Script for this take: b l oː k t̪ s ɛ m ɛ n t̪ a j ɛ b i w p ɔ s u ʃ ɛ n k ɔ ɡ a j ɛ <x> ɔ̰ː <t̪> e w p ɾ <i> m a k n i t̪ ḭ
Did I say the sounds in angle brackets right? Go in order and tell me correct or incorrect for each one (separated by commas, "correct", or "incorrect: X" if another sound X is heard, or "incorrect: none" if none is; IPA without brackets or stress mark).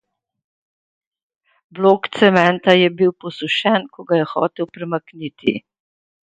correct, correct, incorrect: ɛ